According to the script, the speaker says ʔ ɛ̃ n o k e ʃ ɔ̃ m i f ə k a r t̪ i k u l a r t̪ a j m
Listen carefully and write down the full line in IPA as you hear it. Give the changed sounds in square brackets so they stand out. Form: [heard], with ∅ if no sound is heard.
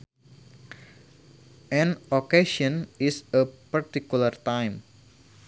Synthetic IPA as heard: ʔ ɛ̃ n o k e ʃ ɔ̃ [n] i [s] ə [p] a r t̪ i k u l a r t̪ a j m